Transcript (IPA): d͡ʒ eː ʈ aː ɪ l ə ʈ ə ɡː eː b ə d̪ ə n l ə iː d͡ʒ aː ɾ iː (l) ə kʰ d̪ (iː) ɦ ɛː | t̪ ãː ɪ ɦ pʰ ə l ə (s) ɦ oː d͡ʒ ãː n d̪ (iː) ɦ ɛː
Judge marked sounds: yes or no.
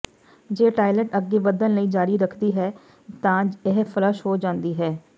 no, yes, no, yes

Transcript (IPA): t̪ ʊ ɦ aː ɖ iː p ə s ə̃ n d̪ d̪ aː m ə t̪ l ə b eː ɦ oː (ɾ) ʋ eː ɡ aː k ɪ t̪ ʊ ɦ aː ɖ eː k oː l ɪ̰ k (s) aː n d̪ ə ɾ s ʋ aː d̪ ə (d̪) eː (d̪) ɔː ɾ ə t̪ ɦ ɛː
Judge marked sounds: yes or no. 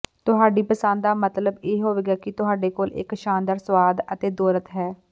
no, no, no, yes

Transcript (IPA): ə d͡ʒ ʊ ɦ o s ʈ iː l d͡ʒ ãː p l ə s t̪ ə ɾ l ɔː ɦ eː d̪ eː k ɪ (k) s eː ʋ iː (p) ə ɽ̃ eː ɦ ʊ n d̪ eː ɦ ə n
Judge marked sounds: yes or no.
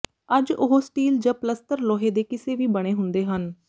no, no

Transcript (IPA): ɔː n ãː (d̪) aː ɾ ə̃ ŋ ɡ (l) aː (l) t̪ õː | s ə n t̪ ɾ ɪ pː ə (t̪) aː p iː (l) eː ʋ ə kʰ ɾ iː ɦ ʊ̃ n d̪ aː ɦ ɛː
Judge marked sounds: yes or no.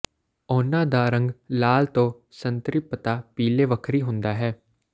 yes, yes, yes, yes, yes

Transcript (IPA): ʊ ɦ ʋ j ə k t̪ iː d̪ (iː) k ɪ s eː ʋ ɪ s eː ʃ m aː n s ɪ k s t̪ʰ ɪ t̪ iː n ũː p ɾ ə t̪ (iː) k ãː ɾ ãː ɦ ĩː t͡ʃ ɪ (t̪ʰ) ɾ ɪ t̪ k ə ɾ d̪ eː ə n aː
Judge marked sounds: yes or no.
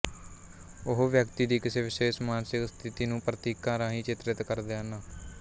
yes, yes, no

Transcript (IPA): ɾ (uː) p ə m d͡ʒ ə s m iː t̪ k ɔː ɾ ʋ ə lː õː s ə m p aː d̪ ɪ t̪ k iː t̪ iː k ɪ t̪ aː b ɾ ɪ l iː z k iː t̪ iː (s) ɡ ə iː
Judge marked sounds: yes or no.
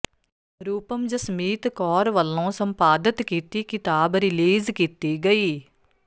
yes, no

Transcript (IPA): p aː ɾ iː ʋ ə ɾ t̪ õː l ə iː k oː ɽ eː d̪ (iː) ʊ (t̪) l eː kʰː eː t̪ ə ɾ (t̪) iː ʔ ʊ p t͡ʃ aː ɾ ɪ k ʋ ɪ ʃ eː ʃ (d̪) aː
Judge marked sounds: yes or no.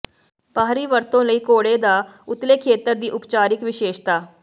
no, yes, no, no

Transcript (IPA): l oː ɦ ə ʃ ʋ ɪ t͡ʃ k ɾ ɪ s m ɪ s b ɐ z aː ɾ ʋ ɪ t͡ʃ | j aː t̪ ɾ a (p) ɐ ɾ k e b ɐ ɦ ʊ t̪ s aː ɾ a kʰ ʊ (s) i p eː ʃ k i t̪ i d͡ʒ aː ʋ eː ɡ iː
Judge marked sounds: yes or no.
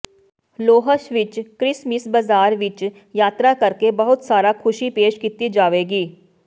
no, no

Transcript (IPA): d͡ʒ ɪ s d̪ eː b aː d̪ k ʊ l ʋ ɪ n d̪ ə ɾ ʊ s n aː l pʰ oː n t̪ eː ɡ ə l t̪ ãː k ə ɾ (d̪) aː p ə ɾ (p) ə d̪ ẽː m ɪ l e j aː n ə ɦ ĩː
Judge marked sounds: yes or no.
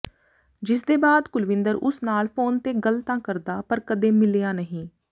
yes, no

